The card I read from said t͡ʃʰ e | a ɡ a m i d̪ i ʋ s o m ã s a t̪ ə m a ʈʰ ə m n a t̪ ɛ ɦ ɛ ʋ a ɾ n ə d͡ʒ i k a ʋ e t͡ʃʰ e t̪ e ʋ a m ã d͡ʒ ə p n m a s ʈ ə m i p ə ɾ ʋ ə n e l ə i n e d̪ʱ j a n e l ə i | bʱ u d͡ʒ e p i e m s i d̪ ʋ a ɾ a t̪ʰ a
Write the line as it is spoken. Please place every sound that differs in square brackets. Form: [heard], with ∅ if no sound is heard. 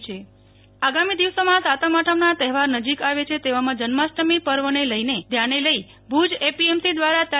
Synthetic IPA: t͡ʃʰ e | a ɡ a m i d̪ i ʋ s o m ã s a t̪ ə m a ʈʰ ə m n a t̪ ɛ ɦ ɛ ʋ a ɾ n ə d͡ʒ i k a ʋ e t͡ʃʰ e t̪ e ʋ a m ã d͡ʒ ə [∅] n m a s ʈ ə m i p ə ɾ ʋ ə n e l ə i n e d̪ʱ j a n e l ə i | bʱ u d͡ʒ e p i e m s i d̪ ʋ a ɾ a [t̪] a